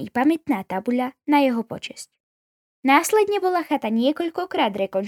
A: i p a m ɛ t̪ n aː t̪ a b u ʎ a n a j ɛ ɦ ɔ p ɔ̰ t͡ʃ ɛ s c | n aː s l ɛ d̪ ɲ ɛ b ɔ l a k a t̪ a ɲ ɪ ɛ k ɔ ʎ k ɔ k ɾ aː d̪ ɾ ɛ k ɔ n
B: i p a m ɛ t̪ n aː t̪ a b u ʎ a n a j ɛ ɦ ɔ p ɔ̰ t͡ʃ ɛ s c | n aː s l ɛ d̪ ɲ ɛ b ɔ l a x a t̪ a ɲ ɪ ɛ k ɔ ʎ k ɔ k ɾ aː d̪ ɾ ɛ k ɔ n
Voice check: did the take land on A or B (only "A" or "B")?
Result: B